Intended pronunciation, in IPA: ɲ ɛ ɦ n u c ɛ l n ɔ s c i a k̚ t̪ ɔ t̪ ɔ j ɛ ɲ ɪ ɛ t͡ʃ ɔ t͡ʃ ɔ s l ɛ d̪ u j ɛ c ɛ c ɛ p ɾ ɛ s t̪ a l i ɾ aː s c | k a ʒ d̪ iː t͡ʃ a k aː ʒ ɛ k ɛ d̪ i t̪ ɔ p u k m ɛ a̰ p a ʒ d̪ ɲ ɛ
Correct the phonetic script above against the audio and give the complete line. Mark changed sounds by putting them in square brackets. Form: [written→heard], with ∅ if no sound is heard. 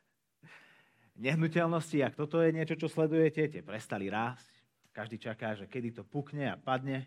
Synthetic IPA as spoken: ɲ ɛ ɦ n u c ɛ l n ɔ s c i a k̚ t̪ ɔ t̪ ɔ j ɛ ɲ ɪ ɛ t͡ʃ ɔ t͡ʃ ɔ s l ɛ d̪ u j ɛ c ɛ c ɛ p ɾ ɛ s t̪ a l i ɾ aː s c | k a ʒ d̪ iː t͡ʃ a k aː ʒ ɛ k ɛ d̪ i t̪ ɔ p u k [m→ɲ] ɛ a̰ p a [ʒ→∅] d̪ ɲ ɛ